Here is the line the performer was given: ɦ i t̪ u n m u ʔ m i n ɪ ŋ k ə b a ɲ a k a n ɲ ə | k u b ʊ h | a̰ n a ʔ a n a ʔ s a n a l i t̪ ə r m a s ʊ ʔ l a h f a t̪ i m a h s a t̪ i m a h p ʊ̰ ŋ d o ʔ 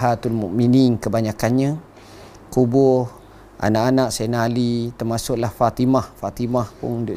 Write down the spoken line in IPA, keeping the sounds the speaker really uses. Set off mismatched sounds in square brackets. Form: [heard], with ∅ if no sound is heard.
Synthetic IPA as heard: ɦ [a] t̪ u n m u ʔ m i n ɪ ŋ k ə b a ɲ a k a n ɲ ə | k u b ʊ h | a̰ n a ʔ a n a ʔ s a n a l i t̪ ə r m a s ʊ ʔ l a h f a t̪ i m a h [f] a t̪ i m a h p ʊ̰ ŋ d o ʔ